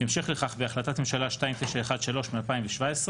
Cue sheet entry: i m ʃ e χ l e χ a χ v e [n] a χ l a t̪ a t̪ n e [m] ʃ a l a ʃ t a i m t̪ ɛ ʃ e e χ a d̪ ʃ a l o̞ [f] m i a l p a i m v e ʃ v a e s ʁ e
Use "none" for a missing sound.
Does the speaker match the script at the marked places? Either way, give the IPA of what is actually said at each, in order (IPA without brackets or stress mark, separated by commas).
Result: none, m, ʃ